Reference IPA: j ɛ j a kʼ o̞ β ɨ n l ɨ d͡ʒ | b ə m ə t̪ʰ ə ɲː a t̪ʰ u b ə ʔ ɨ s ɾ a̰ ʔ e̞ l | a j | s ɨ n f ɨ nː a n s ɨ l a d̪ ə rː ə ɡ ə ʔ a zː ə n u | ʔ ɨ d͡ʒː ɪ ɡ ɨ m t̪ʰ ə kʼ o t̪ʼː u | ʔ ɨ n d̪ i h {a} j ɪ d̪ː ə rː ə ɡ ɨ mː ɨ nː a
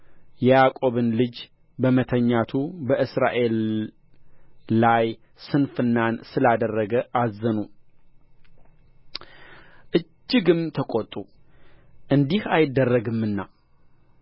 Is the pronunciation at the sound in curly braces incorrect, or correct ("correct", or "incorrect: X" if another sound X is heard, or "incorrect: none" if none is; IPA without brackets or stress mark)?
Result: correct